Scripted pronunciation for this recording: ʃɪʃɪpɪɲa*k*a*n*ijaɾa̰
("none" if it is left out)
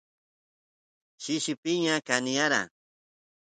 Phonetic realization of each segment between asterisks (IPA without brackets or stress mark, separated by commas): k, n